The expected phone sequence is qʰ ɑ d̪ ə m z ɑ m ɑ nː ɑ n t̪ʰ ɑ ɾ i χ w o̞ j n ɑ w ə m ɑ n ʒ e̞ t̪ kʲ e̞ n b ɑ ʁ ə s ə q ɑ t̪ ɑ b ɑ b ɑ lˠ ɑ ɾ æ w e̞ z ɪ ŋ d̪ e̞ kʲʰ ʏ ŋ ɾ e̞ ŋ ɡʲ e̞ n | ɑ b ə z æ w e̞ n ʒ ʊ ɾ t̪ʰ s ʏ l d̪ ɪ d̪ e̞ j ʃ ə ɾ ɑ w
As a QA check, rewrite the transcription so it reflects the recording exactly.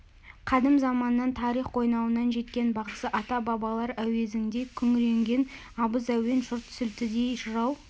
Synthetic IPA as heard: qʰ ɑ d̪ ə m z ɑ m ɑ nː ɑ n t̪ʰ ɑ ɾ i χ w o̞ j n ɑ w ə n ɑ n ʒ e̞ t̪ kʲ e̞ n b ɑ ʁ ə s ə ʔ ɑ t̪ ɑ b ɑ b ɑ lˠ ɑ ɾ æ w e̞ z ɪ ŋ d̪ e̞ kʲʰ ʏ ŋ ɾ e̞ ŋ ɡʲ e̞ n | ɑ b ə z æ w e̞ n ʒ ʊ ɾ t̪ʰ s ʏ l t̪ ɪ d̪ e̞ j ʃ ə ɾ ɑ w

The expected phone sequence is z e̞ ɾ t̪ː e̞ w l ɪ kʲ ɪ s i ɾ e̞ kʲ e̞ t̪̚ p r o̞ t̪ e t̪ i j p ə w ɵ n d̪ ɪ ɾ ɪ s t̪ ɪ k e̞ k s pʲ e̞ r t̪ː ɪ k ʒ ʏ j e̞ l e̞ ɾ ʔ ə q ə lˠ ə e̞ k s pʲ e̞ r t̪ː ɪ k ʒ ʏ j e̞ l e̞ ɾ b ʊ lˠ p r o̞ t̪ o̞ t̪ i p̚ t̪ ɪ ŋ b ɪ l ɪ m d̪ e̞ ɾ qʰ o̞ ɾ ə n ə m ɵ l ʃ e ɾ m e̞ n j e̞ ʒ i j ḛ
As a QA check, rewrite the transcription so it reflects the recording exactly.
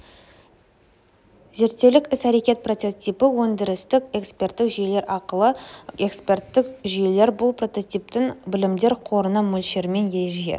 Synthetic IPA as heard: z e̞ ɾ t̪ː e̞ w l ɪ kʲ ɪ s æ ɾ e̞ kʲ e̞ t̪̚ p r o̞ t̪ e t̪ i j p ə w ɵ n d̪ ɪ ɾ ɪ s t̪ ɪ k e̞ k s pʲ e̞ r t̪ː ɪ k ʒ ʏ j e̞ l e̞ ɾ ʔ ɑ q ə lˠ ə e̞ k s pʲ e̞ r t̪ː ɪ k ʒ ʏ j e̞ l e̞ ɾ b ʊ lˠ p r o̞ t̪ o̞ t̪ i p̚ t̪ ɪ ŋ b ɪ l ɪ m d̪ e̞ ɾ qʰ o̞ ɾ ə n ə m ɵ l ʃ e ɾ m e̞ n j e̞ ʒ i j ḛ

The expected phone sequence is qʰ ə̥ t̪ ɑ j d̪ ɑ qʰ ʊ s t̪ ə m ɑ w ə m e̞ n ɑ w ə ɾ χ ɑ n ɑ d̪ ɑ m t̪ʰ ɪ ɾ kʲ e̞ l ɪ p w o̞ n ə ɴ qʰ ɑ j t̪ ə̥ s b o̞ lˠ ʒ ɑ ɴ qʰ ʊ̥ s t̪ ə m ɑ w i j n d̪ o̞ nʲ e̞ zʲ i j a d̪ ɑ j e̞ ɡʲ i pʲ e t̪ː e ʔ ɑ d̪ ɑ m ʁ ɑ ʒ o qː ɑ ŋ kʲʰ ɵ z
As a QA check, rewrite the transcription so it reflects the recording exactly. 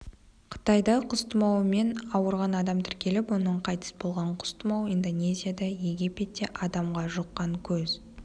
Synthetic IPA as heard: qʰ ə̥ t̪ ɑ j d̪ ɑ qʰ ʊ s t̪ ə m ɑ w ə m e̞ n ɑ w ə ɾ ʁ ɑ n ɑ d̪ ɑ m t̪ʰ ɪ ɾ kʲ e̞ l ɪ p w o̞ n ə ɴ qʰ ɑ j t̪ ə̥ s b o̞ lˠ ʁ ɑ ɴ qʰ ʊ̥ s t̪ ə m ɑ w i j n d̪ o̞ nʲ e̞ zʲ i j a d̪ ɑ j e̞ ɡʲ i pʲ e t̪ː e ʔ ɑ d̪ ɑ m ʁ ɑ ʒ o qː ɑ ŋ kʲʰ ɵ z

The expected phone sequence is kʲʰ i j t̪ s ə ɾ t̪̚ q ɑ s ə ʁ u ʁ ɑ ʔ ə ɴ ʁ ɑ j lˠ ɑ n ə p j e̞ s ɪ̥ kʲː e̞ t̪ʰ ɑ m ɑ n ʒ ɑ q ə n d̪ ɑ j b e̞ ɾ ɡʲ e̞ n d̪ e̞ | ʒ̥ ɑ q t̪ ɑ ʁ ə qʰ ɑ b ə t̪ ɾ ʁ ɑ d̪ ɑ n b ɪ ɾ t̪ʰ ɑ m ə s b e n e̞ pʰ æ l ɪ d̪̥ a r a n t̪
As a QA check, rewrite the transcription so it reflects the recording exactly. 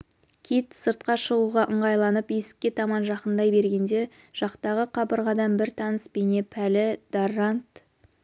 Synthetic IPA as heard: kʲʰ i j t̪ s ə ɾ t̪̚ q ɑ ʃ ə ʁ u ʁ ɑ ʔ ə ɴ ʁ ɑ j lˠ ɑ n ə p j e̞ s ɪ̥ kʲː e̞ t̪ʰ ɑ m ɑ n ʒ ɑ q ə n d̪ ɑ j b e̞ ɾ ɡʲ e̞ n d̪ e̞ | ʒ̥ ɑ q t̪ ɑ ʁ ə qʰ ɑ b ə ɾ ʁ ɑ d̪ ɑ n b ɪ ɾ t̪ʰ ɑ n ə s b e n e̞ pʰ æ l ɪ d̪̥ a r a n t̪

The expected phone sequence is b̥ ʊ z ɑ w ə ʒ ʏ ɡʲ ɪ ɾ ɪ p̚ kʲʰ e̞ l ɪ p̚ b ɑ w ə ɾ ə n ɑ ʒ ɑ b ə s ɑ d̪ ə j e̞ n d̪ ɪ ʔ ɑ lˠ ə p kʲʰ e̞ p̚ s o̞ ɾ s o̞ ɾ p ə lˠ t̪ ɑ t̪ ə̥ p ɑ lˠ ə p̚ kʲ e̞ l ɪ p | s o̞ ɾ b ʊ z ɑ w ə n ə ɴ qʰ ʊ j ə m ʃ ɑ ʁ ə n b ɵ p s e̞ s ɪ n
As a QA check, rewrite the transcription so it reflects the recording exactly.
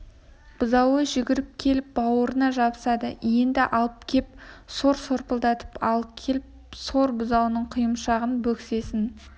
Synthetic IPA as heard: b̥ ʊ z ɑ w ə ʒ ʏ ɡʲ ɪ ɾ ɪ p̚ kʲʰ e̞ l ɪ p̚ b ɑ w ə ɾ ə n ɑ ʒ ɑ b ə s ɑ d̪ ə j e̞ n d̪ ɪ ʔ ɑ lˠ ə p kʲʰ e̞ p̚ s o̞ ɾ s o̞ ɾ p ə lˠ d̪ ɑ t̪ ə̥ p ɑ lˠ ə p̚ kʲʰ e̞ l ɪ p | s o̞ ɾ b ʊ z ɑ w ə n ə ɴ qʰ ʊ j ə m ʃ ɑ ʁ ə n b ɵ k s e̞ s ɪ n

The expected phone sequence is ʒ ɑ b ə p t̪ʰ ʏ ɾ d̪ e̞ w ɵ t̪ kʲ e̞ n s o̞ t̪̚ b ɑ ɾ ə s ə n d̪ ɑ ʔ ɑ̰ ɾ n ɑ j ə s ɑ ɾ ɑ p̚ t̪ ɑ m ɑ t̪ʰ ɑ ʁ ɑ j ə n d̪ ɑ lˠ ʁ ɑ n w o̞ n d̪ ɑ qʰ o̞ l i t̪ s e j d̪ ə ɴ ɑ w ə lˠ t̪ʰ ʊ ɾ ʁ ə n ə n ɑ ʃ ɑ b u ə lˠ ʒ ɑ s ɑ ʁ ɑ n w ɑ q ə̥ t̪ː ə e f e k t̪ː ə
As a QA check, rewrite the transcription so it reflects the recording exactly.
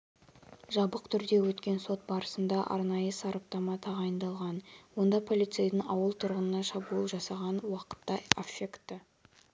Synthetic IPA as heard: ʒ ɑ b ə q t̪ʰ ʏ ɾ d̪ e̞ w ɵ t̪ kʲ e̞ n s o̞ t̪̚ b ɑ ɾ ə s ə n d̪ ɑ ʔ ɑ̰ ɾ n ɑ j ə s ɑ ɾ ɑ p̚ t̪ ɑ m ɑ t̪ʰ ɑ ʁ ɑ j ə n d̪ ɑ lˠ ʁ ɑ n w o̞ n d̪ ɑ pʰ o̞ l i t̪ s e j d̪ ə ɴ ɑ w ə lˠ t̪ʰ ʊ ɾ ʁ ə n ə n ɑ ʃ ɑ b u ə lˠ ʒ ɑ s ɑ ʁ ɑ n w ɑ q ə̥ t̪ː ɑ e f e k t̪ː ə

